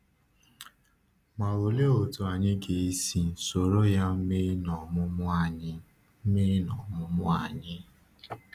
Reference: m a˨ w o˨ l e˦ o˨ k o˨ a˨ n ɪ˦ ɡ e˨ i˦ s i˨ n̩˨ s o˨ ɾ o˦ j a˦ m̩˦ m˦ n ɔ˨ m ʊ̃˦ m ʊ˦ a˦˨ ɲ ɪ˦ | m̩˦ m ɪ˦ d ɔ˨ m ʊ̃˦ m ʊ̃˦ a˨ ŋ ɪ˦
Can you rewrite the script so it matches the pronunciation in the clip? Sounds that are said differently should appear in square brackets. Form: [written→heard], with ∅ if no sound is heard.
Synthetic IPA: m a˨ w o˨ l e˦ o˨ [k→t] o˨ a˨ [n→ɲ] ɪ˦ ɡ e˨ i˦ s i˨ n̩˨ s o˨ ɾ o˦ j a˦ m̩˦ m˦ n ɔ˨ m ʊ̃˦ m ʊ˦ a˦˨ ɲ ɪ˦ | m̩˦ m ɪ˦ [d→n] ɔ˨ m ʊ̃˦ m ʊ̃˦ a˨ [ŋ→ɲ] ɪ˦